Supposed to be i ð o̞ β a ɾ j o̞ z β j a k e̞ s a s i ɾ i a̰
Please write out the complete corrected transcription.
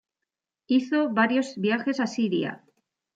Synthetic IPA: i θ o̞ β a ɾ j o̞ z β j a x e̞ s a s i ɾ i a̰